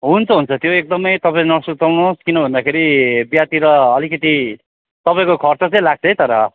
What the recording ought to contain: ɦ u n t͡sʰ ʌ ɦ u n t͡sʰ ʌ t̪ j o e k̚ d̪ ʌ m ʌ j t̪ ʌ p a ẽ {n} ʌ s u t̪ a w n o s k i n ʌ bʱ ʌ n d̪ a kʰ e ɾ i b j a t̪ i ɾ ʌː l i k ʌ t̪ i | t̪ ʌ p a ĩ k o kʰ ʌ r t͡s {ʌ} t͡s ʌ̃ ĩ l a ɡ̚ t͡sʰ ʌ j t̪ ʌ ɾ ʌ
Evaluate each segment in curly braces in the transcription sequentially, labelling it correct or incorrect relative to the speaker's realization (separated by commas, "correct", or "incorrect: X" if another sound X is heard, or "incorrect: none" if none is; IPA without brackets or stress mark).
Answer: correct, correct